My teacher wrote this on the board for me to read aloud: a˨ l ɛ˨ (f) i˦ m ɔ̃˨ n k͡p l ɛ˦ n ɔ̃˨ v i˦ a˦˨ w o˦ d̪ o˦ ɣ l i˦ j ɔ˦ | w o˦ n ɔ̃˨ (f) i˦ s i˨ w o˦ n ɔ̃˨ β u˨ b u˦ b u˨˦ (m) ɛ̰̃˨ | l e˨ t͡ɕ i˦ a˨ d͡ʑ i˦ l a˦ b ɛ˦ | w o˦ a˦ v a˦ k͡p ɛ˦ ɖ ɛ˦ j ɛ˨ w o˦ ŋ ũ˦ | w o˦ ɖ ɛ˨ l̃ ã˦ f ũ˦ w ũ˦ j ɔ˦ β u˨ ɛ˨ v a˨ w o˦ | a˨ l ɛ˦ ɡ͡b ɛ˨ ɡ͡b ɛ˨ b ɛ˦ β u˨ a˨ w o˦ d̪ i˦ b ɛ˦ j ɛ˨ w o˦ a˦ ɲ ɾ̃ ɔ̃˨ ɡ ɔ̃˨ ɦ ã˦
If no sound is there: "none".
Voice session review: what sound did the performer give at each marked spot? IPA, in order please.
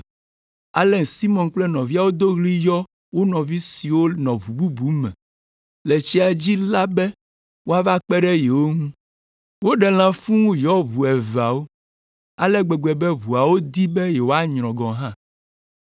s, v, m

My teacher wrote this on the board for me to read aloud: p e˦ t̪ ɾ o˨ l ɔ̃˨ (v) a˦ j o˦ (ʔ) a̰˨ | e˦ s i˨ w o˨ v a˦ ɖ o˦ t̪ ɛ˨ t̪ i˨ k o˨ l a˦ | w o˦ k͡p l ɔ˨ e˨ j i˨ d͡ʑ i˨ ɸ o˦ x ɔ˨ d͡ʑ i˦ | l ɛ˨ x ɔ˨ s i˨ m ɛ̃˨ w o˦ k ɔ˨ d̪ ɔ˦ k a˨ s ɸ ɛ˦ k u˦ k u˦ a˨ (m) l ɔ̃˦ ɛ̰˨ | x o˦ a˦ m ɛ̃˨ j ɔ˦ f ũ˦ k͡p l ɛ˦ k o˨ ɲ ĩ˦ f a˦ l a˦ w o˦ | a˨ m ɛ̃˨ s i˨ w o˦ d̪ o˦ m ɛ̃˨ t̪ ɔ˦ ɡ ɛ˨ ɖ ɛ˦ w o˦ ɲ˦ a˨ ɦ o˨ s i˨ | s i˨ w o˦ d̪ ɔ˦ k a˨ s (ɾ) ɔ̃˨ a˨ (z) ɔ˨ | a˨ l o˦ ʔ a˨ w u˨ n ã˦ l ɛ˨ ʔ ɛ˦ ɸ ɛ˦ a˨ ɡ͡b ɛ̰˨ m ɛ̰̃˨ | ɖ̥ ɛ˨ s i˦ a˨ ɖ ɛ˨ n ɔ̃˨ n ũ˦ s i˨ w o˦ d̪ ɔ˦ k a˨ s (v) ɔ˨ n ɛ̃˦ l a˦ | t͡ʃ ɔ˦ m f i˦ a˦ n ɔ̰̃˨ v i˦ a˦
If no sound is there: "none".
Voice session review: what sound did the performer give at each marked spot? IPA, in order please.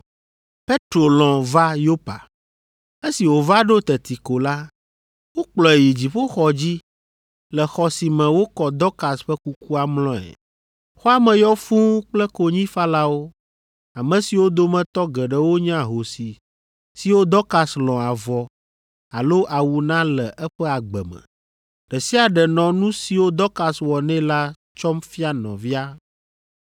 v, p, m, l, v, w

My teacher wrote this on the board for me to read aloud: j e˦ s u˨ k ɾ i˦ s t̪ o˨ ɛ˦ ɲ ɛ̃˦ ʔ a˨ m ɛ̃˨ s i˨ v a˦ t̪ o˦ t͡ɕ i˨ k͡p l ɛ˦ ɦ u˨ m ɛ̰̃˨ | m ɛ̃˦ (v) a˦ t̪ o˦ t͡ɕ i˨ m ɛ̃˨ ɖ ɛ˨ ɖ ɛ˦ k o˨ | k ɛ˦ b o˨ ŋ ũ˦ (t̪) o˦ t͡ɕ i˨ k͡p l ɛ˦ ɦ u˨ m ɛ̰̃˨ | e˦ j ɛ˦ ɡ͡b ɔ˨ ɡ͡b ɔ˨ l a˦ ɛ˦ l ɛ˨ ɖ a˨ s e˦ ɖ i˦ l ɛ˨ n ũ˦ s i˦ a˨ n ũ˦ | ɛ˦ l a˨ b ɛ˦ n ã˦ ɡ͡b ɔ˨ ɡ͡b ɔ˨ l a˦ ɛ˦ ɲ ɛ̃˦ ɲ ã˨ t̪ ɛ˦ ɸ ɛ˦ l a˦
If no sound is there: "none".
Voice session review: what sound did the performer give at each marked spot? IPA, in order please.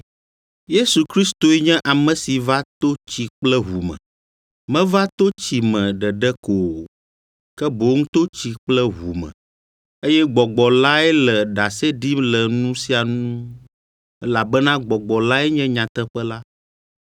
v, t̪

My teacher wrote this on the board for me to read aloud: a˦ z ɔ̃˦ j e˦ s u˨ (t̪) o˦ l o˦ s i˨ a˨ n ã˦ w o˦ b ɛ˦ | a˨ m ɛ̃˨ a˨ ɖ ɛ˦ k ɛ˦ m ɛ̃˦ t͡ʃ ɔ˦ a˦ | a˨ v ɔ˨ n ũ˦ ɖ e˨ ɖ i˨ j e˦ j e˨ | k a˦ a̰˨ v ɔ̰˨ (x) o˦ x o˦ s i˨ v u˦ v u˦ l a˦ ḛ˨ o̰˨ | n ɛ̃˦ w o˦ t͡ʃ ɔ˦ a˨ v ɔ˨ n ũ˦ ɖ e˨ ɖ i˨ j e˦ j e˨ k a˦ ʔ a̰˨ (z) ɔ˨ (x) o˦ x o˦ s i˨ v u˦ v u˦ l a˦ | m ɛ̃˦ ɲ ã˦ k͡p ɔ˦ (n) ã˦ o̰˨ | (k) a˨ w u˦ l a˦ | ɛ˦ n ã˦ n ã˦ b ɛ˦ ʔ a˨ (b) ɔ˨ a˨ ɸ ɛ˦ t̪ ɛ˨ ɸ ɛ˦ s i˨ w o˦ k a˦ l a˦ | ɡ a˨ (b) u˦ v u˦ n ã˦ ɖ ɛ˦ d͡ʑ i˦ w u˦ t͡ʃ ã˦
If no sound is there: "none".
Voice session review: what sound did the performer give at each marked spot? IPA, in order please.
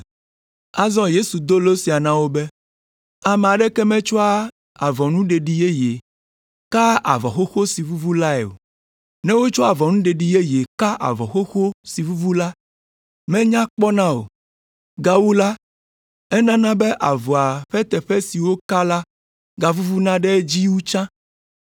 d̪, x, v, x, n, ɡ, v, v

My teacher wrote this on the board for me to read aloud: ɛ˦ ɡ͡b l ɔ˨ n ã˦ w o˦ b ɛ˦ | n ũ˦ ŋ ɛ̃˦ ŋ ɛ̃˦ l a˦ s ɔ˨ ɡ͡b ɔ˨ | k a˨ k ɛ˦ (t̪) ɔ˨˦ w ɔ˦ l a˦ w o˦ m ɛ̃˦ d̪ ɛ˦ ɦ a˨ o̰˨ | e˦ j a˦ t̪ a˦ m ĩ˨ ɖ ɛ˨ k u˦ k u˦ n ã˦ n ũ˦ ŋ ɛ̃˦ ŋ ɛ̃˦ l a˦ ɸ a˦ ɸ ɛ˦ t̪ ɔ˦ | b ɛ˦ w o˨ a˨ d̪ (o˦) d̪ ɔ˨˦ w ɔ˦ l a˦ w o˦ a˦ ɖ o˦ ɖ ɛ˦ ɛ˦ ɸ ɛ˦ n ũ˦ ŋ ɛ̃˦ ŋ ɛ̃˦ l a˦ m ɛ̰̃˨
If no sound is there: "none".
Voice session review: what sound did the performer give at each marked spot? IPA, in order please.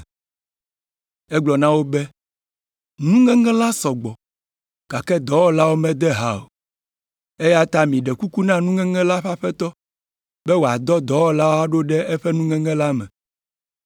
d̪, ɔ˦

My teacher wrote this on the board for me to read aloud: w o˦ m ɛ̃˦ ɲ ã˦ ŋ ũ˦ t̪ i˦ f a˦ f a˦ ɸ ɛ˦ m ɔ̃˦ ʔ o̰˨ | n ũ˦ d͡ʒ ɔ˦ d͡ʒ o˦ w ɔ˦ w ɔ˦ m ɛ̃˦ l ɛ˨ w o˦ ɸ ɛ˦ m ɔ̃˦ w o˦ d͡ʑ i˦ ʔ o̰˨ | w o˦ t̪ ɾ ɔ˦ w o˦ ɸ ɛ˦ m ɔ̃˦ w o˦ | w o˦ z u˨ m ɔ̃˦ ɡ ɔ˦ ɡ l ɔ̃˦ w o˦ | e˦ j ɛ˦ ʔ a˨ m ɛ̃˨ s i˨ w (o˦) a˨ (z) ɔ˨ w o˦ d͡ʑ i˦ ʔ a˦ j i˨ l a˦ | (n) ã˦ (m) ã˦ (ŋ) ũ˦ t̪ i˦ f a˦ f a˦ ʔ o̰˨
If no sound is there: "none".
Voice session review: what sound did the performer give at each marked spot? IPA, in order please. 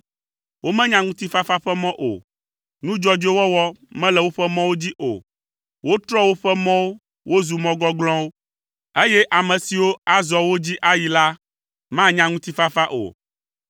o˦, z, m, ɲ, ŋ

